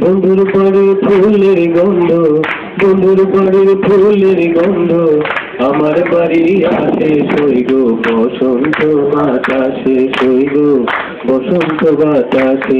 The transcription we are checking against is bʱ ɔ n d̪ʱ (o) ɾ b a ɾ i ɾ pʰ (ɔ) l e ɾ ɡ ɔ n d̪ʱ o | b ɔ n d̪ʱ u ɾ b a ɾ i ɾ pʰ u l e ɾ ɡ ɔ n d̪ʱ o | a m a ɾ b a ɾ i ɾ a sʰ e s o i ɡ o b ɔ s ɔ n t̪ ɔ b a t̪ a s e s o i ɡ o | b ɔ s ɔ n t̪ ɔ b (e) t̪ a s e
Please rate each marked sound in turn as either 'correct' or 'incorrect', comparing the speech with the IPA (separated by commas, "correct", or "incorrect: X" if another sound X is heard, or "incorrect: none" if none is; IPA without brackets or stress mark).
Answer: incorrect: u, incorrect: u, incorrect: a